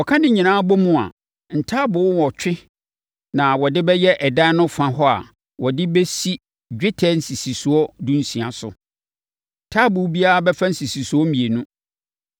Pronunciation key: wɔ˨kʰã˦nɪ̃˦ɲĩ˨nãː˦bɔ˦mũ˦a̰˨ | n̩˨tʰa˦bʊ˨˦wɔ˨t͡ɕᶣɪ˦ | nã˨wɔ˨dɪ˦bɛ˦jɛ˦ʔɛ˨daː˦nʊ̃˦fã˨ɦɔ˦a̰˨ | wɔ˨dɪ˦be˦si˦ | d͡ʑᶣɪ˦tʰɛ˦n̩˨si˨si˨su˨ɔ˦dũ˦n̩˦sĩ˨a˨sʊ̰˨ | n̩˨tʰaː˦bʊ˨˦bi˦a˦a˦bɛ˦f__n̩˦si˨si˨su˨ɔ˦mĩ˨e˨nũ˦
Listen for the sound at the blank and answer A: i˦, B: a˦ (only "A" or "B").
B